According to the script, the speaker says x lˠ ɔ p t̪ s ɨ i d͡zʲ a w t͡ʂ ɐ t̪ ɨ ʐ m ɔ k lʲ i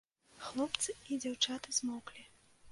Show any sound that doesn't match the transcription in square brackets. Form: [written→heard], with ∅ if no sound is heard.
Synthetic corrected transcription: x lˠ ɔ p t̪ s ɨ i d͡zʲ a w t͡ʂ [ɐ→a] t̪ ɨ [ʐ→z] m ɔ k lʲ i